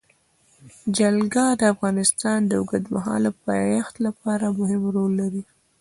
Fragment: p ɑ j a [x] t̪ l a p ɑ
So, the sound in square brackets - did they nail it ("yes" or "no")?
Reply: yes